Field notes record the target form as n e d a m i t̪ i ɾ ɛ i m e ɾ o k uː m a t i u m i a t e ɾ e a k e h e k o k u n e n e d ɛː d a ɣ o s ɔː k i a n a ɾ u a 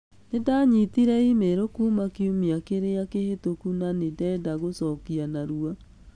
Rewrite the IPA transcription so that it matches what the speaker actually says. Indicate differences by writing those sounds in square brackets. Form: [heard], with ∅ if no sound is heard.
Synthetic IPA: n e d a [ɲ] i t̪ i ɾ ɛ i m e ɾ o k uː m a [k] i u m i a [k] e ɾ e a k e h e [t] o k u n [a] n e d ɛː d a ɣ o s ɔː k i a n a ɾ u a